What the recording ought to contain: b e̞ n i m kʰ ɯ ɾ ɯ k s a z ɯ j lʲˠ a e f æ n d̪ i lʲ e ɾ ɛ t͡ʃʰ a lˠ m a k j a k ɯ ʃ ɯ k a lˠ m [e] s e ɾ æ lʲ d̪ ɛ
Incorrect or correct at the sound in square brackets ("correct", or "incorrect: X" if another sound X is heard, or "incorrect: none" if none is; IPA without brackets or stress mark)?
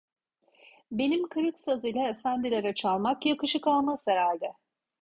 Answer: incorrect: a